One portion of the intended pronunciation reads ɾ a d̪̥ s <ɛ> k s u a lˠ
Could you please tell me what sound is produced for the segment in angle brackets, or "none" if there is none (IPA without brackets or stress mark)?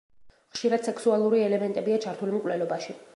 ɛ